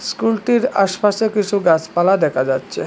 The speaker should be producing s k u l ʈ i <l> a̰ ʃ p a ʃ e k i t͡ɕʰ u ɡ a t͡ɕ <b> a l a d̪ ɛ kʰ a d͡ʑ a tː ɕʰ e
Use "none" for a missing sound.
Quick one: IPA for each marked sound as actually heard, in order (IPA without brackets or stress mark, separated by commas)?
ɾ, p